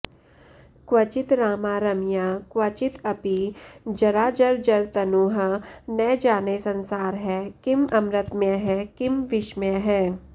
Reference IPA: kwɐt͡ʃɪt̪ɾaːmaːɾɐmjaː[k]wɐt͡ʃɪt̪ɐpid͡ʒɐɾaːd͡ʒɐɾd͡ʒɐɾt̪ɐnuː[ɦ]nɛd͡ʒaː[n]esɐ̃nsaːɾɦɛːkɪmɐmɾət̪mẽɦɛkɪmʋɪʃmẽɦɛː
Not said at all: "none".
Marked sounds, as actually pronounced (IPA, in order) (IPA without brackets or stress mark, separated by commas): k, ɦ, n